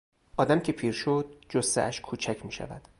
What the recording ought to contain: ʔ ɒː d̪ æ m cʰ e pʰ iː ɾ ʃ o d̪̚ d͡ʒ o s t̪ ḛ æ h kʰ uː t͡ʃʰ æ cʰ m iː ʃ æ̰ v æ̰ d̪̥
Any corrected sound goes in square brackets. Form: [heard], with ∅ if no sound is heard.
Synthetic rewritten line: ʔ ɒː d̪ æ m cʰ e pʰ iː ɾ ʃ o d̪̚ d͡ʒ o s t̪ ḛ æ [ʃ] kʰ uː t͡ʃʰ æ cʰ m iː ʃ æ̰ v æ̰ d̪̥